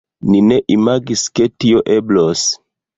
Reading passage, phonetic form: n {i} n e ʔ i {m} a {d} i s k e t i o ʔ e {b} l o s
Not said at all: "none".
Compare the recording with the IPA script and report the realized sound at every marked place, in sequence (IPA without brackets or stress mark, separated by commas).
i, m, ɡ, b